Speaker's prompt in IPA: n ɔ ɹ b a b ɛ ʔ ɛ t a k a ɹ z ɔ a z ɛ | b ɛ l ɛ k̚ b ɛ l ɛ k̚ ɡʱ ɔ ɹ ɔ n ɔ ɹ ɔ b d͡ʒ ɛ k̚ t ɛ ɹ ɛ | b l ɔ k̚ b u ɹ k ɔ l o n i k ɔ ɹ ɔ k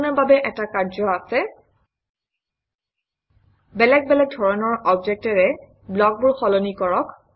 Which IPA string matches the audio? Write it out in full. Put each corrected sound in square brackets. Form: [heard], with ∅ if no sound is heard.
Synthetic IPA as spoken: n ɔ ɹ b a b ɛ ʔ ɛ t a k a ɹ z ɔ a [s] ɛ | b ɛ l ɛ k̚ b ɛ l ɛ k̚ [dʱ] ɔ ɹ ɔ n ɔ ɹ ɔ b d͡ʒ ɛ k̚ t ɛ ɹ ɛ | b l ɔ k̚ b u ɹ [x] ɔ l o n i k ɔ ɹ ɔ k